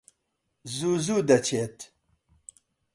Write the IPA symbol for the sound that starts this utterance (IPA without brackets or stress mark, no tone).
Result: z